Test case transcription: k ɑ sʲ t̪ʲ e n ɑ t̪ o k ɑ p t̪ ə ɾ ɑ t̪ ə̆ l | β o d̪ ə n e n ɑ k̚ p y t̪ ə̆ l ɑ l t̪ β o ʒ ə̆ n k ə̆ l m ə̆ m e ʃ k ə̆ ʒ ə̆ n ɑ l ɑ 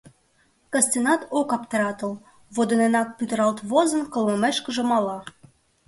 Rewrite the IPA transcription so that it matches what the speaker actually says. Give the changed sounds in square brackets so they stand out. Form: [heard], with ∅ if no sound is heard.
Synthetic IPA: k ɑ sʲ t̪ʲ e n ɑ t̪ o k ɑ p t̪ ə ɾ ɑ t̪ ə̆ l | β o d̪ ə n e n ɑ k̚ p y t̪ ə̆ [ɾ] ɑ l t̪ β o [z] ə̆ n k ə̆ l m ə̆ m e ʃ k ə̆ ʒ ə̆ [m] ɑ l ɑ